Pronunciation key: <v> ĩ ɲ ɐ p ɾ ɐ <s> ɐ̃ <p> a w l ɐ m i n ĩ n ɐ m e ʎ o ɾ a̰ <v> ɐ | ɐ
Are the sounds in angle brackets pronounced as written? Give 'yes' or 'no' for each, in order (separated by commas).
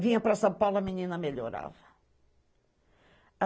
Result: yes, yes, yes, yes